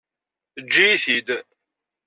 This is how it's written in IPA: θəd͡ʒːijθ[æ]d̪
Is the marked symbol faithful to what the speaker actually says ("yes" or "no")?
no